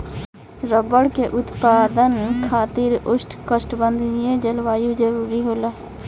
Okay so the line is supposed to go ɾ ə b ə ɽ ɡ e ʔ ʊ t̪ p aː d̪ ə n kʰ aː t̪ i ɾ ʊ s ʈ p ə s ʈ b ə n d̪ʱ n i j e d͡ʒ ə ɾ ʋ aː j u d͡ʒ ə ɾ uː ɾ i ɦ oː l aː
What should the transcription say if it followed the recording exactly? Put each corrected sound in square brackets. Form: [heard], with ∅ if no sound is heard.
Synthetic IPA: ɾ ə b ə ɽ [k] e ʔ ʊ t̪ p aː d̪ ə n kʰ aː t̪ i ɾ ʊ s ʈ [k] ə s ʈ b ə n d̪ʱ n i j e d͡ʒ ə [l] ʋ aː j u d͡ʒ ə ɾ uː ɾ i ɦ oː l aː